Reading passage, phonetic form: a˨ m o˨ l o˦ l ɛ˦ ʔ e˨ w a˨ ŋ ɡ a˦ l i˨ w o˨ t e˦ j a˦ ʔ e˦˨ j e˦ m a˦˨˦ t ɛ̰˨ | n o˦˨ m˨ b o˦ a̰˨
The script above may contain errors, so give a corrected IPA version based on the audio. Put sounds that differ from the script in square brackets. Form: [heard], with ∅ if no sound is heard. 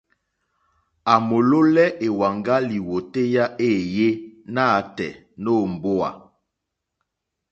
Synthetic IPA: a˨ m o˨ l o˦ l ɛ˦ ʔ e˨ w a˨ ŋ ɡ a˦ l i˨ w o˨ t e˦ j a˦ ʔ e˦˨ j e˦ [n] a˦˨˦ t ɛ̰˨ | n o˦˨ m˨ b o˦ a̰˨